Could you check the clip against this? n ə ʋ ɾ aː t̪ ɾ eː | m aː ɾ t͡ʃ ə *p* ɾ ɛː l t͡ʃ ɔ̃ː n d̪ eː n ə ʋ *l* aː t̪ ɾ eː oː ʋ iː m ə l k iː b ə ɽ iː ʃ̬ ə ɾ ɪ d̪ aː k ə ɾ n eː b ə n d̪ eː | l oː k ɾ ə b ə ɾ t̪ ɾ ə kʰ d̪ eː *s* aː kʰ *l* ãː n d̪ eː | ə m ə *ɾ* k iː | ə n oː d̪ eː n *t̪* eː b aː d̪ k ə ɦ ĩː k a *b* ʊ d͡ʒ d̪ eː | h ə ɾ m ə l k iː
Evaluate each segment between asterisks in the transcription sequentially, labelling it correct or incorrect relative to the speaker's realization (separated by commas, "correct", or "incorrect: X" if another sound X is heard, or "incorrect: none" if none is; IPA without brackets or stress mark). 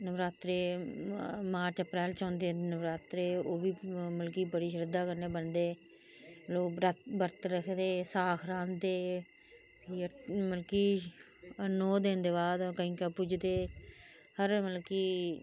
correct, incorrect: ɾ, correct, incorrect: ɾ, incorrect: l, incorrect: d̪, incorrect: p